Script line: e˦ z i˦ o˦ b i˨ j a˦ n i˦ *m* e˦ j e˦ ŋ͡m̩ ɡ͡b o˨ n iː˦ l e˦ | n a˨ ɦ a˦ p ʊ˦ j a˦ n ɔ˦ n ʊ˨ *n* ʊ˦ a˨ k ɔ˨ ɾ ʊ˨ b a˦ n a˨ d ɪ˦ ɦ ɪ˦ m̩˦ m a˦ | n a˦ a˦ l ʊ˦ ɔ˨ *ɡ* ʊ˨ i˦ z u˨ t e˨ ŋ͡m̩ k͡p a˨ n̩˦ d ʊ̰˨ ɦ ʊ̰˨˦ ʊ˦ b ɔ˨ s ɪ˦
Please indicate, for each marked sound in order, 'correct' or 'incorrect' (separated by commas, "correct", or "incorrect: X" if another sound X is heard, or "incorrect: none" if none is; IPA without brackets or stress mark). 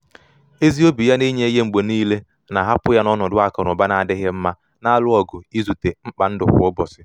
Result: incorrect: ɲ, incorrect: d, correct